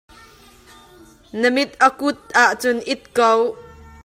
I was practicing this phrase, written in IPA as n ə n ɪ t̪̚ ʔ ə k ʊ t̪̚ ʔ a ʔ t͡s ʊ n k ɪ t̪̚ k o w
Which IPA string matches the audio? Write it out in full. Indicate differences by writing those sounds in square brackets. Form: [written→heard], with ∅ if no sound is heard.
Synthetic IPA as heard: n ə [n→m] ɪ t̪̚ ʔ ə k ʊ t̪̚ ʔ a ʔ t͡s ʊ n [k→ʔ] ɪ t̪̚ k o w